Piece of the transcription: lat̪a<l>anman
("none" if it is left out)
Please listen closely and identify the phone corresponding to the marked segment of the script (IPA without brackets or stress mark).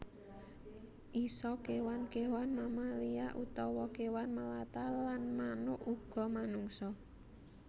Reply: l